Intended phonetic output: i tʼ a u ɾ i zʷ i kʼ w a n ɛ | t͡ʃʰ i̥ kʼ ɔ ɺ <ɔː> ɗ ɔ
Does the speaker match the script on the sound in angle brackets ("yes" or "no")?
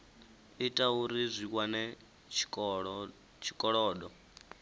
yes